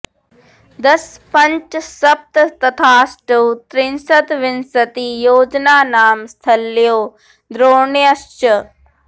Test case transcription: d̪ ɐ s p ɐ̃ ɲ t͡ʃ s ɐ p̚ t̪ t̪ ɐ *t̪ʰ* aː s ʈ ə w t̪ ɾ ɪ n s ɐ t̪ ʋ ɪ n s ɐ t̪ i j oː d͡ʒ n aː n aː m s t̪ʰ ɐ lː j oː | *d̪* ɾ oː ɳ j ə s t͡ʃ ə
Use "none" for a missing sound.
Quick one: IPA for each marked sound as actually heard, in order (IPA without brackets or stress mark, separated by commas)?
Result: t̪ʰ, d̪